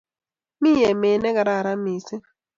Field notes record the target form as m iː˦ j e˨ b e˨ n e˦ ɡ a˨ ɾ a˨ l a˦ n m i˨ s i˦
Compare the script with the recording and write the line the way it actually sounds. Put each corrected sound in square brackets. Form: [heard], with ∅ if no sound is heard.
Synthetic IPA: m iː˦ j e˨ [m] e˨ n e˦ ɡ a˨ ɾ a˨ [ɾ] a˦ [∅] m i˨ s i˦